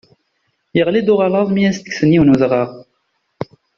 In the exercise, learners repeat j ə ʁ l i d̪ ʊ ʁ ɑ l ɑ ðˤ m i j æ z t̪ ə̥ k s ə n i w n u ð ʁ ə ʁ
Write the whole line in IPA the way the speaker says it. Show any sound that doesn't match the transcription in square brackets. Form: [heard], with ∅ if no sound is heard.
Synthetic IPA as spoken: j ə ʁ l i d̪ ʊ ʁ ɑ l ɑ ðˤ m i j æ [s] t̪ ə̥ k s ə n i w n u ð ʁ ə ʁ